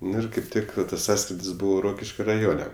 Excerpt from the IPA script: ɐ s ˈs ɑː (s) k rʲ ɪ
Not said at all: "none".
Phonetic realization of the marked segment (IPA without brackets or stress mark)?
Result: s